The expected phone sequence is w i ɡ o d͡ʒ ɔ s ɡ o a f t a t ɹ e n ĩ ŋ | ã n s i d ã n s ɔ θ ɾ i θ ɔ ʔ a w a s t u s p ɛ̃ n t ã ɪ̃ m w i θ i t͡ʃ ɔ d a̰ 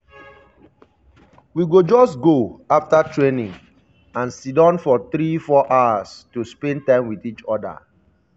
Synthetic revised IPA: w i ɡ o d͡ʒ ɔ s ɡ o a f t a t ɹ e n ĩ ŋ | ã n s i d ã n f ɔ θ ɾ i f ɔ ʔ a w a s t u s p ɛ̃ n t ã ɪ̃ m w i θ i t͡ʃ ɔ d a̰